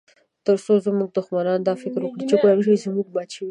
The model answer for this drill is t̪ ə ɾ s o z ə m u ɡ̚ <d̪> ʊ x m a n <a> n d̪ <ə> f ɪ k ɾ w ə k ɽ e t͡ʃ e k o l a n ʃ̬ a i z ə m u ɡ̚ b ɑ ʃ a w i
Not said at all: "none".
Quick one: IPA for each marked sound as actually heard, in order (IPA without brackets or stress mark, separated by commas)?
d̪, ɑ, ɑ